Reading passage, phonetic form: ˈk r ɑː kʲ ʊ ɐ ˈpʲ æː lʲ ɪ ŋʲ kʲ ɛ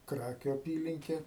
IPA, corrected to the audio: ˈk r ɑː kʲ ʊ ɐ ˈpʲ iː lʲ ɪ ŋʲ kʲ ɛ